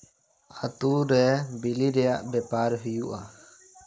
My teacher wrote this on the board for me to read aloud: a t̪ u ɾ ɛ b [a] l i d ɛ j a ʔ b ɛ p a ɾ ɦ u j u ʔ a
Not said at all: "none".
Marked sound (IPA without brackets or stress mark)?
i